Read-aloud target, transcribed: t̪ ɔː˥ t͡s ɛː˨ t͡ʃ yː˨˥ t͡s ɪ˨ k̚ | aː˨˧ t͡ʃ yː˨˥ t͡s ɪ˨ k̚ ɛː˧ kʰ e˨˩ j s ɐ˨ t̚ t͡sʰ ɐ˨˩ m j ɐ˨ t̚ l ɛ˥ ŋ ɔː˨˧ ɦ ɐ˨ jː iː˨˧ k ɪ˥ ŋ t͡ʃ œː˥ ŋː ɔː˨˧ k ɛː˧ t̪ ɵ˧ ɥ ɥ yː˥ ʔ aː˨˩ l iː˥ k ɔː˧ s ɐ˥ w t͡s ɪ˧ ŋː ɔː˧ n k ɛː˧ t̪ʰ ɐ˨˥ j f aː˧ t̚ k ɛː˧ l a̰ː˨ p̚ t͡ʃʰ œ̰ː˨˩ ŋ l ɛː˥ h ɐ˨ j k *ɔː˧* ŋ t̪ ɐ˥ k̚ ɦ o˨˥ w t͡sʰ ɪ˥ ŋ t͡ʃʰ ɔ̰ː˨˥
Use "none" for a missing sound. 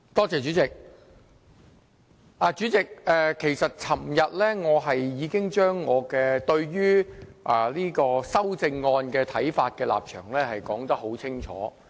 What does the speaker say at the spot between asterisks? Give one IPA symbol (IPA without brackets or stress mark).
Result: ɔː˨˥